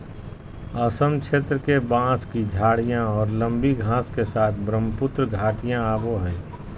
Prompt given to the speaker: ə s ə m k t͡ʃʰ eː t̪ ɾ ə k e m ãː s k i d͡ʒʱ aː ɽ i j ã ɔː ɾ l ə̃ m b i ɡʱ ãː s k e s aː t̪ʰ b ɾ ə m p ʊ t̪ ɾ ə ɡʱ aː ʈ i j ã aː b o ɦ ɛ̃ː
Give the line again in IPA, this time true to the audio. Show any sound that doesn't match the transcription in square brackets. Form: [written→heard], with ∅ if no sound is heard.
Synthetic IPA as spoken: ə s ə m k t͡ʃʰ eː t̪ ɾ ə k e [m→b] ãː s k i d͡ʒʱ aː ɽ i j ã ɔː ɾ l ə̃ m b i ɡʱ ãː s k e s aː t̪ʰ b ɾ ə m p ʊ t̪ ɾ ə ɡʱ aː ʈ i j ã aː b o ɦ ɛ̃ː